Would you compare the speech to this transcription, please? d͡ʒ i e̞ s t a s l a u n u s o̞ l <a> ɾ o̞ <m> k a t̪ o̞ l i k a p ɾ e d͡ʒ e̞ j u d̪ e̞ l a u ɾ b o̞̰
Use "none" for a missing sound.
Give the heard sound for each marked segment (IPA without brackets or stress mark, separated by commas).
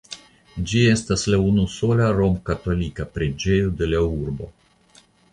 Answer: a, m